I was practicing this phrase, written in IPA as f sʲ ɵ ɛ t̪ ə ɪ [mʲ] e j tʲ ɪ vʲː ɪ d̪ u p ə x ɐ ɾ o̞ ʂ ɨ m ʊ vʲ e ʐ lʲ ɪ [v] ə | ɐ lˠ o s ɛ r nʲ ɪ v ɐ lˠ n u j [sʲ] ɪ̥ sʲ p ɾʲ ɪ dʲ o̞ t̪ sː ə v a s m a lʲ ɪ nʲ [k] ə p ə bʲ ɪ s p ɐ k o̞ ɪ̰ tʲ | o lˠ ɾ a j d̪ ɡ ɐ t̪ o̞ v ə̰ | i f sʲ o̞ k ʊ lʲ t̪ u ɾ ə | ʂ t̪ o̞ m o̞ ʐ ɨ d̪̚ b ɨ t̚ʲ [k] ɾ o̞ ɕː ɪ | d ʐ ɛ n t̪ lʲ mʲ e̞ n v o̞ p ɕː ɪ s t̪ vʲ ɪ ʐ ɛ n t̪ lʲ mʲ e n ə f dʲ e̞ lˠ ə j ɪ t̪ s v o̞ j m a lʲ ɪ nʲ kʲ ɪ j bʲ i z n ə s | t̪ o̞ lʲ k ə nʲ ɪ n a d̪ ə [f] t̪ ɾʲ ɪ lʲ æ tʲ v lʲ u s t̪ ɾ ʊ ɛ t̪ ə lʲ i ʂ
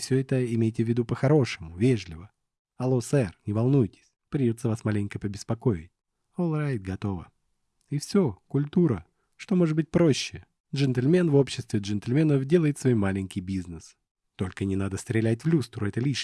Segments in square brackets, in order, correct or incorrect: correct, correct, incorrect: tʲ, correct, incorrect: p, incorrect: s

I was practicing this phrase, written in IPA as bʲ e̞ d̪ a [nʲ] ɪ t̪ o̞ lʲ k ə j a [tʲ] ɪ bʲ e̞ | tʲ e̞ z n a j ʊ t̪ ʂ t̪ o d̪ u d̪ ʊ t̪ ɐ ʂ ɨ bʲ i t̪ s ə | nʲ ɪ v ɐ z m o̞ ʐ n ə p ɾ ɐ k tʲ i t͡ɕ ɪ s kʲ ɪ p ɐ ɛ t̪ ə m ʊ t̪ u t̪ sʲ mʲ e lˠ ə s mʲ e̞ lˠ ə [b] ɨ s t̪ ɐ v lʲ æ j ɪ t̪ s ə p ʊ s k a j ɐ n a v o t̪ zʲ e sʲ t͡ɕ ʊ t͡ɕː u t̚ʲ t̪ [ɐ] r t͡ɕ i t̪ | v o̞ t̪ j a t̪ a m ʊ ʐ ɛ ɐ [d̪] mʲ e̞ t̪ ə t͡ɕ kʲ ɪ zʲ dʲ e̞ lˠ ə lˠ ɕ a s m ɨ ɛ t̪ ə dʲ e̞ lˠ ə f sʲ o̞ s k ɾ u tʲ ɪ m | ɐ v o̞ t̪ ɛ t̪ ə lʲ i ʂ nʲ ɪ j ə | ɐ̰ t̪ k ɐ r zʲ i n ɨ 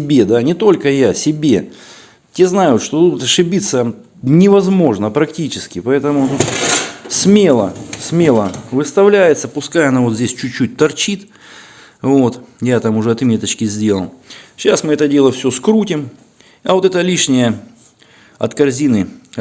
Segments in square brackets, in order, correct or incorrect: correct, incorrect: sʲ, incorrect: v, correct, incorrect: t̪

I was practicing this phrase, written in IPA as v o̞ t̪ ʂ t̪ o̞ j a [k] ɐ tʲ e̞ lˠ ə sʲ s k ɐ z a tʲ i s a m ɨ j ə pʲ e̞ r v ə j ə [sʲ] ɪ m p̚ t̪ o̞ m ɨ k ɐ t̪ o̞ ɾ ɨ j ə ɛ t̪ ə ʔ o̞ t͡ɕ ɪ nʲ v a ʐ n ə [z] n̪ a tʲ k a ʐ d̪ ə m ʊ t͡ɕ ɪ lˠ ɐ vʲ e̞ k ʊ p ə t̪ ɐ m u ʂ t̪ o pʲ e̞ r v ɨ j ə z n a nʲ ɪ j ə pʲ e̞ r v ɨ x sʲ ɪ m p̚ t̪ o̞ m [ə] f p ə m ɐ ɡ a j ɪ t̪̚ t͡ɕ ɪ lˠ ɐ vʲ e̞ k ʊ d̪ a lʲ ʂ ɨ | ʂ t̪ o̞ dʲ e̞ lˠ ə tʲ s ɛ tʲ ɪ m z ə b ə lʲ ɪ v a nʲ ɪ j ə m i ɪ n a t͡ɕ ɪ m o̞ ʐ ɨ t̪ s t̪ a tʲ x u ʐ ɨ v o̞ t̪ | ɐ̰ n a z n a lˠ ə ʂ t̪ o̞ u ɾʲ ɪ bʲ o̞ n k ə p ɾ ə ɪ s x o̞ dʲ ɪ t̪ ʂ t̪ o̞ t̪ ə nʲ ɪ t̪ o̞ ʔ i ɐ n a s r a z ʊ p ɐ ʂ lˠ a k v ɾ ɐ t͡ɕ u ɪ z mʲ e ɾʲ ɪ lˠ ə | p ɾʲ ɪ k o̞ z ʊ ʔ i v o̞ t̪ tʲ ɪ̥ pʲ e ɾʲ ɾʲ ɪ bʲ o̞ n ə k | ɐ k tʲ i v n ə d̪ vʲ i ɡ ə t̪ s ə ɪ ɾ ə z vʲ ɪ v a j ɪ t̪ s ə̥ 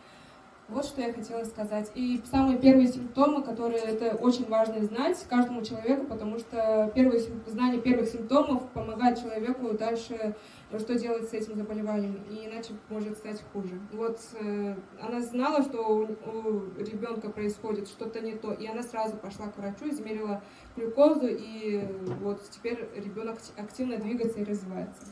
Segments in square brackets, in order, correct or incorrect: incorrect: x, correct, correct, correct

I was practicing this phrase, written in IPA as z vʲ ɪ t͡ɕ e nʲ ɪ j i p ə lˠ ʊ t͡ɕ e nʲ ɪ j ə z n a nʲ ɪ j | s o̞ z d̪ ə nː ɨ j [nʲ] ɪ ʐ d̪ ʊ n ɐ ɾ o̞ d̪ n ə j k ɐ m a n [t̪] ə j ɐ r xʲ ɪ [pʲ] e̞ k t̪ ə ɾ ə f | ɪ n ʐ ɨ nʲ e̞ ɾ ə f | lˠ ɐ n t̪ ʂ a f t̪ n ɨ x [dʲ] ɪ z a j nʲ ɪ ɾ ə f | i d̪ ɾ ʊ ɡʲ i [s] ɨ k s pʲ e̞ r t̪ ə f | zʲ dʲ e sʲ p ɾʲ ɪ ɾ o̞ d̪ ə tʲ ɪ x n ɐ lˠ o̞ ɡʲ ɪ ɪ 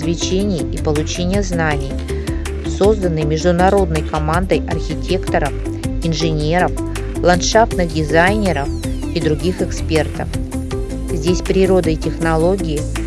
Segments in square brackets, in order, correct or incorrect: incorrect: mʲ, incorrect: d̪, incorrect: tʲ, correct, incorrect: x

